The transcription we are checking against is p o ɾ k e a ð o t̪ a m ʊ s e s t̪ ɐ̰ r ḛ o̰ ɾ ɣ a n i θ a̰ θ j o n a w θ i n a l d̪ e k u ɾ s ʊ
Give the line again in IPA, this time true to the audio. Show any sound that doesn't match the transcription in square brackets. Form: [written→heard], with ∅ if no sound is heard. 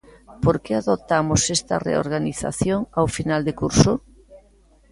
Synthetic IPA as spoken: p o ɾ k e a ð o t̪ a m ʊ s e s t̪ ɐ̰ r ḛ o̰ ɾ ɣ a n i θ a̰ θ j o [n→ŋ] a w [θ→f] i n a l d̪ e k u ɾ s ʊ